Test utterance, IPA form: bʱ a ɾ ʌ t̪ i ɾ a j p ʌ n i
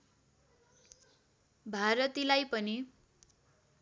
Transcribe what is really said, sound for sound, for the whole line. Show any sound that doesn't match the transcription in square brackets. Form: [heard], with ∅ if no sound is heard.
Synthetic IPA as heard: bʱ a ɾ ʌ t̪ i [l] a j p ʌ n i